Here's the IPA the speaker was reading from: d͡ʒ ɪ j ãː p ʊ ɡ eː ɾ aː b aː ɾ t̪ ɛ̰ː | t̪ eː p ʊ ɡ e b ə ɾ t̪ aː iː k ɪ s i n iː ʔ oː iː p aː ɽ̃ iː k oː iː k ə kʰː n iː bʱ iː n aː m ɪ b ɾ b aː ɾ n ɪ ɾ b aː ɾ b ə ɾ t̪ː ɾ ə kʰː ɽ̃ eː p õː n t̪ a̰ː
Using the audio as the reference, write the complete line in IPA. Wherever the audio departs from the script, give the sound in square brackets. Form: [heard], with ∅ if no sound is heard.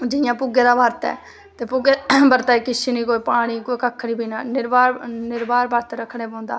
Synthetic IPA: d͡ʒ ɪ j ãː p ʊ ɡ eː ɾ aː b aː ɾ t̪ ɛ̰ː | t̪ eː p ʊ ɡ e b ə ɾ t̪ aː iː k ɪ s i n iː [k] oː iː p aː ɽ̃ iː k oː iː k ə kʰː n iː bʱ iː n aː [n] ɪ [∅] ɾ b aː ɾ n ɪ ɾ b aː ɾ b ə ɾ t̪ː ɾ ə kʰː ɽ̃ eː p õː n [d̪] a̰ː

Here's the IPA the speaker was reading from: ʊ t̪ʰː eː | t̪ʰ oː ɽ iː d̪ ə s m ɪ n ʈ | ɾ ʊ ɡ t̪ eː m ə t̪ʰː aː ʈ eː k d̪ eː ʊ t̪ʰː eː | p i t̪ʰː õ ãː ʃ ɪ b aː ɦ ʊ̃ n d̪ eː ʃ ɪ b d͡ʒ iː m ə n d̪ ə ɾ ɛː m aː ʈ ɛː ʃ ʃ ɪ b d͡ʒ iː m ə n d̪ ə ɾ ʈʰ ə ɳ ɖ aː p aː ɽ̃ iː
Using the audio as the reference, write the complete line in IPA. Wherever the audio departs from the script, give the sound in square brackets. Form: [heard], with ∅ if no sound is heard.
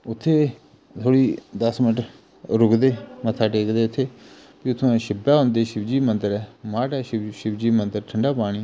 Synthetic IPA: ʊ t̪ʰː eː | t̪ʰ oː ɽ iː d̪ ə s m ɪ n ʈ | ɾ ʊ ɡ [d̪] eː m ə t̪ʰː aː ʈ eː k d̪ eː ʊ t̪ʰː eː | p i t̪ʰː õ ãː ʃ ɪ b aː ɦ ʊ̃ n d̪ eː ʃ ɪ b d͡ʒ iː m ə n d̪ ə ɾ ɛː m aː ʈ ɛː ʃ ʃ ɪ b d͡ʒ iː m ə n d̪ ə ɾ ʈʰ ə ɳ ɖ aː p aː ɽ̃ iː

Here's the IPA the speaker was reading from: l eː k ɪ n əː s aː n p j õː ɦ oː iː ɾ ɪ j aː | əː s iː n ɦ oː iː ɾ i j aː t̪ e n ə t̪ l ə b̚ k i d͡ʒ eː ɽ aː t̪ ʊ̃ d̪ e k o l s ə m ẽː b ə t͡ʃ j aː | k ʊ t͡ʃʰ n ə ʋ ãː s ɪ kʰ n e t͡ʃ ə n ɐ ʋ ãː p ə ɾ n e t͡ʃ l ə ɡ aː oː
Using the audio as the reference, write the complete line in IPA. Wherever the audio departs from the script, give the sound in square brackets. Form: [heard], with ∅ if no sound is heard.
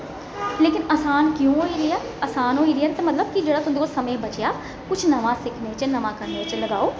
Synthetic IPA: l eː k ɪ n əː s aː n [k] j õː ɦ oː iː ɾ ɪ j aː | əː s [aː] n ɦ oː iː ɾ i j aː t̪ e [m] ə t̪ l ə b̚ k i d͡ʒ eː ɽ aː t̪ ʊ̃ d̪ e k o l s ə m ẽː b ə t͡ʃ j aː | k ʊ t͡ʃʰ n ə ʋ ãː s ɪ kʰ n e t͡ʃ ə n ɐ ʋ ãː [k] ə ɾ n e t͡ʃ l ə ɡ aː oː

